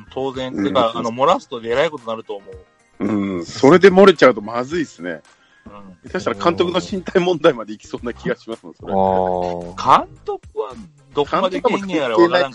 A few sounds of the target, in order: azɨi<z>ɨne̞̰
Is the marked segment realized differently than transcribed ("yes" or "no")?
yes